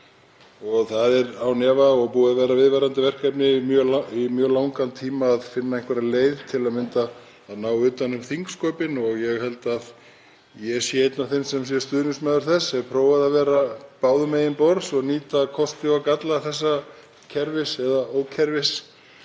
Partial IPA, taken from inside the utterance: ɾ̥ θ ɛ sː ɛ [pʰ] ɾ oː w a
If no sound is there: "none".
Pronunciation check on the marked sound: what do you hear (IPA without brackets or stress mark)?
pʰ